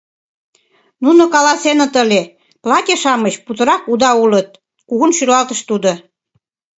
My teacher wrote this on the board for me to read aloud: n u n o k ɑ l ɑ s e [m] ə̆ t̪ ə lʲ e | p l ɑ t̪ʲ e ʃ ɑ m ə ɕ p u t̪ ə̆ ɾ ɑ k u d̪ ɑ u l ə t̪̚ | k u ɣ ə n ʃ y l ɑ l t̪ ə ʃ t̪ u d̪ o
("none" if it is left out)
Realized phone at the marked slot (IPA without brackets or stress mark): n